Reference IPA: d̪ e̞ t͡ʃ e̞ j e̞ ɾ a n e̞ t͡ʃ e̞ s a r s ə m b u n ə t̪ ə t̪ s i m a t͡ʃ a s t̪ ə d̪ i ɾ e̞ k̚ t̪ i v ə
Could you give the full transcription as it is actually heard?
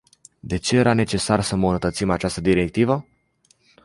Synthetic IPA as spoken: d̪ e̞ t͡ʃ e̞ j e̞ ɾ a n e̞ t͡ʃ e̞ s a r s ə m b u n ə t̪ ə t̪ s i m a t͡ʃ a s t̪ ə d̪ i ɾ e̞ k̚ t̪ i v ə